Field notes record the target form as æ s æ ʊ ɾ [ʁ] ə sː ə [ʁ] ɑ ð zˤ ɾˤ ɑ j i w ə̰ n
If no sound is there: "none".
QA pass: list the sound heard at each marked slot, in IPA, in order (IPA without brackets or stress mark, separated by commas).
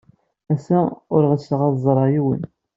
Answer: ʁ, ʁ